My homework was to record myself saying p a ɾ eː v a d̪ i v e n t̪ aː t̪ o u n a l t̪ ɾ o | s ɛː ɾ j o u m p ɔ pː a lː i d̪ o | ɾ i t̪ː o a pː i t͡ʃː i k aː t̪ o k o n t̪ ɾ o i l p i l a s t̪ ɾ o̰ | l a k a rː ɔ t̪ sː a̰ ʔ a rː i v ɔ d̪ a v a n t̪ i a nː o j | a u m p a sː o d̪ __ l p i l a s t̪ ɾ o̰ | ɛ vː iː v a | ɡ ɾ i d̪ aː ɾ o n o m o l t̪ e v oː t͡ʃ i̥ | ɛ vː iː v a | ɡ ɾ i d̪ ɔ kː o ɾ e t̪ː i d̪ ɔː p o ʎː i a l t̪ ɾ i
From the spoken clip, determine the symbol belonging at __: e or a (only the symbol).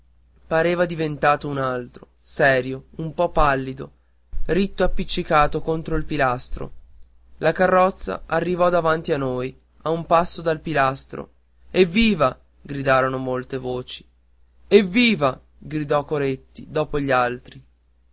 a